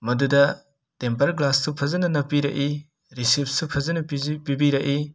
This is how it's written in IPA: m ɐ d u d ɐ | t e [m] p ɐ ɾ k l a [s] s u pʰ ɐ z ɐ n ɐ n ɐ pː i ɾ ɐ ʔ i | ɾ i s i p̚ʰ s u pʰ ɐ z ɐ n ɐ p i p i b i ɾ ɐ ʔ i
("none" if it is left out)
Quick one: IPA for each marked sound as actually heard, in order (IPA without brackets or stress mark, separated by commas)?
m, s